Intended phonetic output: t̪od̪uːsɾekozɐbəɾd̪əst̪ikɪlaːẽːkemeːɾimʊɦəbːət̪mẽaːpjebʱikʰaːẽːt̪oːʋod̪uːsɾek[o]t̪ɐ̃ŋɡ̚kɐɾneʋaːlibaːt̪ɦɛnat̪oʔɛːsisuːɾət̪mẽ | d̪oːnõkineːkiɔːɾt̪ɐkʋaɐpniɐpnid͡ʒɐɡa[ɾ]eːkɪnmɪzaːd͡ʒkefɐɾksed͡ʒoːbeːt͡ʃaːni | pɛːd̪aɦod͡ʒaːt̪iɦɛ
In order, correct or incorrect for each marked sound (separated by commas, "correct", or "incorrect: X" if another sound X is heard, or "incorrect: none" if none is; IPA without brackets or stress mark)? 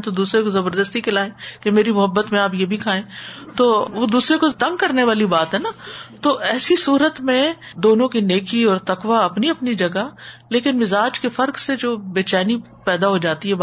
correct, incorrect: l